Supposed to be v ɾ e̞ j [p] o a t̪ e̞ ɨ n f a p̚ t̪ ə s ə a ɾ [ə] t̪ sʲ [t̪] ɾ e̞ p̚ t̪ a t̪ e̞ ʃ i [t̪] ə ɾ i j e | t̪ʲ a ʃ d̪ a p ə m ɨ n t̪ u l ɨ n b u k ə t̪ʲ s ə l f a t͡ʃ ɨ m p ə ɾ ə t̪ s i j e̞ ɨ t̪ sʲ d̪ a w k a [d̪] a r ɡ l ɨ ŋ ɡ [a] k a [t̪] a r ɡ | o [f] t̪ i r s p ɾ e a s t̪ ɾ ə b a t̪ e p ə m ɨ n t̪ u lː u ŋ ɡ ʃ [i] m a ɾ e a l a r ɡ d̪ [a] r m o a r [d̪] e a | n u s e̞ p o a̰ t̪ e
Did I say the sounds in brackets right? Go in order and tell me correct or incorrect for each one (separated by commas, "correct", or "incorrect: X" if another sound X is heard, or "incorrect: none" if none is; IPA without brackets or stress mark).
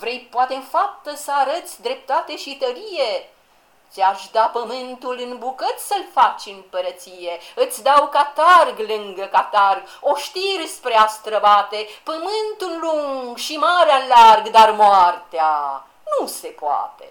correct, correct, incorrect: d̪, correct, incorrect: t̪, incorrect: ə, correct, incorrect: ʃ, correct, correct, incorrect: t̪